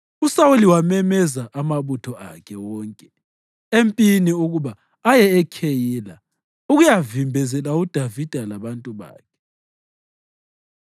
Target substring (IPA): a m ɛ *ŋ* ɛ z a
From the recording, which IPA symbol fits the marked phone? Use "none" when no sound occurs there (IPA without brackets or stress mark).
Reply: m